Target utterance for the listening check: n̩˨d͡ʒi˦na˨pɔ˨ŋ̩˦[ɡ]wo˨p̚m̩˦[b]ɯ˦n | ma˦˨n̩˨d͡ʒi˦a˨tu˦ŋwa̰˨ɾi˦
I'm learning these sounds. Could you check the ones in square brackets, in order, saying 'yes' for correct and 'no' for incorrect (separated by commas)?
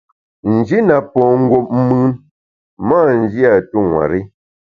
yes, no